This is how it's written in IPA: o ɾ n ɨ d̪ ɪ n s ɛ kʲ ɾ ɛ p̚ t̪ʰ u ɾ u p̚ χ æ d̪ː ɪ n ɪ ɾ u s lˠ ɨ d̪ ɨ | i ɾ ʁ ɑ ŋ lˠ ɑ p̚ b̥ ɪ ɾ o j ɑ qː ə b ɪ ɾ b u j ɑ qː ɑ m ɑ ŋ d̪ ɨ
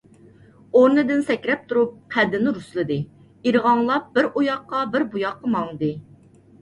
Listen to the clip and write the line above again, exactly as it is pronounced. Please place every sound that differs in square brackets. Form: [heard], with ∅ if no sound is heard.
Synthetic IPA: o ɾ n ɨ d̪ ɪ n s ɛ kʲ ɾ ɛ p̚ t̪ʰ u ɾ u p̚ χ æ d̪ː ɪ n ɪ ɾ u s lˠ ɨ d̪ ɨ | i ɾ ʁ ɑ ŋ lˠ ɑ p̚ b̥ ɪ ɾ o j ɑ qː [ɑ] b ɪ ɾ b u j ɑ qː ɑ m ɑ ŋ d̪ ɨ